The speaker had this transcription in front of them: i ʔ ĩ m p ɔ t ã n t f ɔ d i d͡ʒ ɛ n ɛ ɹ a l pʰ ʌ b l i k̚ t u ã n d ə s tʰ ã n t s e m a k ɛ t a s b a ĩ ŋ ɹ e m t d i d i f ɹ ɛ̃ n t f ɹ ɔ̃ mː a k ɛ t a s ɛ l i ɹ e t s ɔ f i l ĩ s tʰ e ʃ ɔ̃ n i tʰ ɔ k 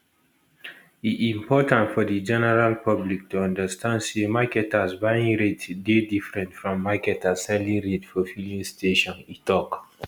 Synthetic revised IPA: i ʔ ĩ m p ɔ t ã n t f ɔ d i d͡ʒ ɛ n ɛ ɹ a l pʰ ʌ b l i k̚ t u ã n d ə s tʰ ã n d s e m a k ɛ t a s b a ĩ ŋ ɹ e t d e d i f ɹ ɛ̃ n t f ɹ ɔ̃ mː a k ɛ t a s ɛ l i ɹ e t f ɔ f i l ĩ s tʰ e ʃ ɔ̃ n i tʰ ɔ k